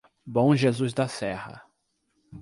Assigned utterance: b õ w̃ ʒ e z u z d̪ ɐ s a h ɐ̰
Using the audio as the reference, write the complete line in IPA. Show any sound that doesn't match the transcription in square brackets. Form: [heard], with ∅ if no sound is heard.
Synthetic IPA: b õ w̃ ʒ e z u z d̪ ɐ s [ɛ] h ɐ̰